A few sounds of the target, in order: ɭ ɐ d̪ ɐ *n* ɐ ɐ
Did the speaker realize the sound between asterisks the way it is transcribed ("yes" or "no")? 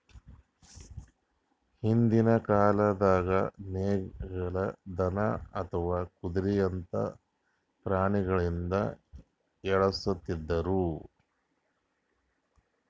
yes